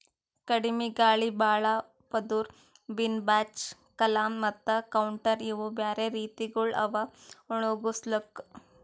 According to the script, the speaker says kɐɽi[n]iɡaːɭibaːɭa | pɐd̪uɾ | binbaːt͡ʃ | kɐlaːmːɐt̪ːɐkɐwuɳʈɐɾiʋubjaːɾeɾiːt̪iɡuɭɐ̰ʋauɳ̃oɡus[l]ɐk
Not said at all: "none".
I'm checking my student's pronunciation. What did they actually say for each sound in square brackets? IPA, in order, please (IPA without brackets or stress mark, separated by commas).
m, l